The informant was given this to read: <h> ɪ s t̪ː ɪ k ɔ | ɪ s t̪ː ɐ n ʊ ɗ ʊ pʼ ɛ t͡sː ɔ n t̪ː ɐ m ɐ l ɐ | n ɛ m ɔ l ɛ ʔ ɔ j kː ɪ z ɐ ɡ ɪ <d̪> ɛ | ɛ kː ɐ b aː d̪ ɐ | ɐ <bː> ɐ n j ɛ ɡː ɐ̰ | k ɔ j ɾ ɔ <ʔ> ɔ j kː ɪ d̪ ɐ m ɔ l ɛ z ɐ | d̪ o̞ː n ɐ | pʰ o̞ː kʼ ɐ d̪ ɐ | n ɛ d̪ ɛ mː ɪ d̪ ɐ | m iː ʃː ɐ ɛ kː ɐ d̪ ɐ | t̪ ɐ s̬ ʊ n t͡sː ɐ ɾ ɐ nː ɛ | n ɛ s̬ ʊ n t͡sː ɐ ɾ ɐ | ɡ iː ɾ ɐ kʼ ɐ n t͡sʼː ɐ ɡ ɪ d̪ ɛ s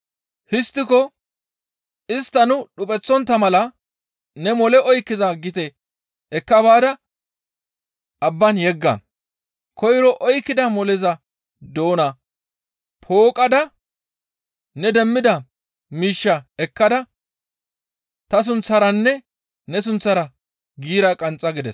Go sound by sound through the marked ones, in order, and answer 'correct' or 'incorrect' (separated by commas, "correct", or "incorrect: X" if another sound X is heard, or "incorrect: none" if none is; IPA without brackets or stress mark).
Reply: correct, incorrect: t̪, correct, correct